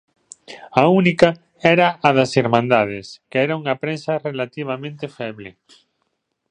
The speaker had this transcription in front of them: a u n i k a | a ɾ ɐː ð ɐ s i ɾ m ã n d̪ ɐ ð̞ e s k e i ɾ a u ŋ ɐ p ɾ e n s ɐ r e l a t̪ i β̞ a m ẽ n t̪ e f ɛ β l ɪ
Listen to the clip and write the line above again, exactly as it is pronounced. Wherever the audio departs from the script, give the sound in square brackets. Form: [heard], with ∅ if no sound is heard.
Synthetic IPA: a u n i k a | [ɛ] ɾ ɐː ð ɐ s i ɾ m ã n d̪ [a] ð̞ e s k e [ɛ] ɾ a u ŋ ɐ p ɾ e n s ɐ r e l a t̪ i β̞ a m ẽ n t̪ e f ɛ β l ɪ